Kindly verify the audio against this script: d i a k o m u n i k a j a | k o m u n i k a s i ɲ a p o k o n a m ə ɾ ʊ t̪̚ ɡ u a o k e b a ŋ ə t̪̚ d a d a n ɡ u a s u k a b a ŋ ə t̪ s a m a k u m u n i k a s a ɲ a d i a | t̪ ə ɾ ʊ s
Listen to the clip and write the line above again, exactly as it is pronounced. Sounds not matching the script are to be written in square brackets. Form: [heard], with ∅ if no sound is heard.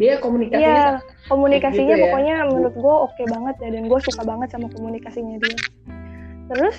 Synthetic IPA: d i a k o m u n i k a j a | k o m u n i k a s i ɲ a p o k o [ɲ] a m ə ɾ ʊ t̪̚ ɡ u a o k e b a ŋ ə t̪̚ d a d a n ɡ u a s u k a b a ŋ ə t̪ s a m a k [o] m u n i k a s [i] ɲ a d i a | t̪ ə ɾ ʊ s